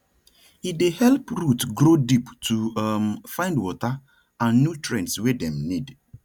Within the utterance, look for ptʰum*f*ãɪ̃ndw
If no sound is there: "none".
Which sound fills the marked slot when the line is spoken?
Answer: f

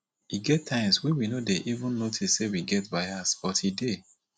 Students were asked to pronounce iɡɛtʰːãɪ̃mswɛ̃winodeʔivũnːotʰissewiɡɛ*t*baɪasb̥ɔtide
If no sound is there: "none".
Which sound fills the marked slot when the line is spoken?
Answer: t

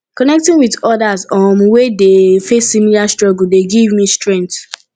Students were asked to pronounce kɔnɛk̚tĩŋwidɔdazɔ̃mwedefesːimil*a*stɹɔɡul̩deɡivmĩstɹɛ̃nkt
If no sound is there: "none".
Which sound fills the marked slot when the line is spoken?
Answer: a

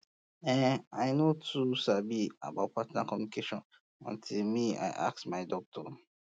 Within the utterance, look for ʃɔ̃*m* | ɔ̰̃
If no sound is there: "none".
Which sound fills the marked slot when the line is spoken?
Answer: n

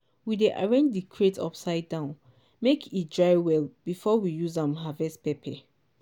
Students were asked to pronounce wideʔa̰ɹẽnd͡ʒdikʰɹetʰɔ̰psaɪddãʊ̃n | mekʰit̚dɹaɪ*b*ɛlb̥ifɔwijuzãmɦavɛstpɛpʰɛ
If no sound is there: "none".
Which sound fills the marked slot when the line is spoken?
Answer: w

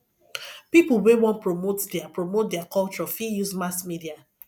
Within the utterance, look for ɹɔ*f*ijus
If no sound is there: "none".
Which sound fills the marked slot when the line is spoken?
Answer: f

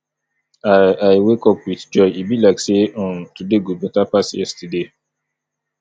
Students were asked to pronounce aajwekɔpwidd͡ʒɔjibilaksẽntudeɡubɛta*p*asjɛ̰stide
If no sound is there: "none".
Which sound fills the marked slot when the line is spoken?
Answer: p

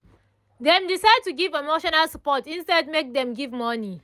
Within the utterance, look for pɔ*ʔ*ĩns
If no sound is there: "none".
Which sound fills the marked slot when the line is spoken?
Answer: t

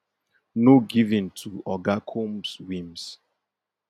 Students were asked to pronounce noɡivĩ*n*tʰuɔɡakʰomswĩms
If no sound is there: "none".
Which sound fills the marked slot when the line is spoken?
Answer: n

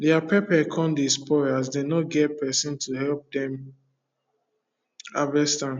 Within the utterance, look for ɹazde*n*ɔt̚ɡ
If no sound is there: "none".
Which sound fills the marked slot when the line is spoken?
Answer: n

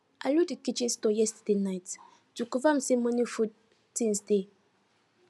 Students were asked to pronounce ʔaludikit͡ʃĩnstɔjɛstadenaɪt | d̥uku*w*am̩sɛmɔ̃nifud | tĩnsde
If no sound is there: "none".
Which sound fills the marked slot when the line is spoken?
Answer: v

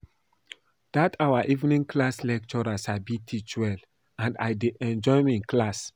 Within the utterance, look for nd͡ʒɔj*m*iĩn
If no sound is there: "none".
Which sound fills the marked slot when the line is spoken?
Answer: m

